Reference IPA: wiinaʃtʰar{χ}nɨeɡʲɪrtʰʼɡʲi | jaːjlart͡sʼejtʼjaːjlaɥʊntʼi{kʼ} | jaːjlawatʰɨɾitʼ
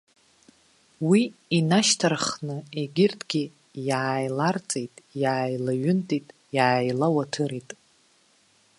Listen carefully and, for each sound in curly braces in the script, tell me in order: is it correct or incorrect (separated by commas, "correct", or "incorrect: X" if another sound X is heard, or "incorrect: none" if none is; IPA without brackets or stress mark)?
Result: correct, incorrect: tʼ